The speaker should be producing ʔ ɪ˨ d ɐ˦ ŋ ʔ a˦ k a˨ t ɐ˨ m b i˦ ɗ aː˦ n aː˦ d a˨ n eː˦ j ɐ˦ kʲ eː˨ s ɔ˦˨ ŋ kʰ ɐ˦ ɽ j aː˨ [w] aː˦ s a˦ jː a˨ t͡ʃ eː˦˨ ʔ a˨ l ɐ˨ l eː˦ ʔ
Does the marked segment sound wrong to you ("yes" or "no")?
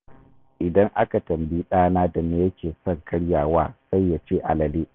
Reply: no